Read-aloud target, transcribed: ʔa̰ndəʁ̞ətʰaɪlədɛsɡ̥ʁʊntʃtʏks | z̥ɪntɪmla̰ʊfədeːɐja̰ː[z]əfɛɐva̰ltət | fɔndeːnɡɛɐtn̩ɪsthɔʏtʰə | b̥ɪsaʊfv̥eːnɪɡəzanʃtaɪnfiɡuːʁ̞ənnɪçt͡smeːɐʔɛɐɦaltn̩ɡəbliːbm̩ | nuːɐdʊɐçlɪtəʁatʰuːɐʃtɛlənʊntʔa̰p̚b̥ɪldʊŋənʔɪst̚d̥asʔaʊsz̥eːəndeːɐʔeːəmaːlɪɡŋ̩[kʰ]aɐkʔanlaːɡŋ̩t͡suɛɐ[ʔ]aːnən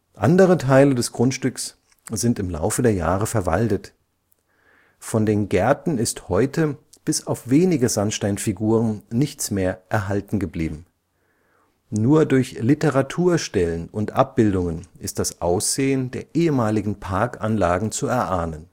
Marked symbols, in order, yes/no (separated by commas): no, no, yes